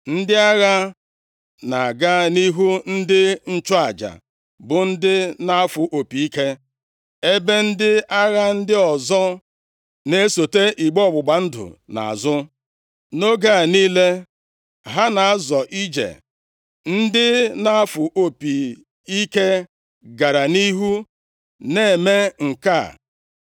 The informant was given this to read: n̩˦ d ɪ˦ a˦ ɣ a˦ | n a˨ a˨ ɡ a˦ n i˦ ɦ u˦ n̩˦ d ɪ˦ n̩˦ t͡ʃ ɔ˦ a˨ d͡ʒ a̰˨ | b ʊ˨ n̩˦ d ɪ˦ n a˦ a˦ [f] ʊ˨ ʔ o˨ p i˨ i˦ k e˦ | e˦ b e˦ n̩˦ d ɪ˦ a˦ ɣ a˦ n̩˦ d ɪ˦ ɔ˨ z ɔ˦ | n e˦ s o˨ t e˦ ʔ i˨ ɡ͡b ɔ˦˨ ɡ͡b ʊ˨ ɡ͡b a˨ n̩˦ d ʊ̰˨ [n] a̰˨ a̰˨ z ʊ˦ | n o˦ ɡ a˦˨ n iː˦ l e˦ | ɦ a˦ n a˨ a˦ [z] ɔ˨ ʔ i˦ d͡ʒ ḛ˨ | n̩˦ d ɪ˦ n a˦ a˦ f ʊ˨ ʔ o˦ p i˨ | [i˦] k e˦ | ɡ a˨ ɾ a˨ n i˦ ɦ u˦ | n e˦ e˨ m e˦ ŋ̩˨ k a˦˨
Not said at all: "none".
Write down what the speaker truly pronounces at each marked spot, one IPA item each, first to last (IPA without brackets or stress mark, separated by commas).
f, n, z, i˦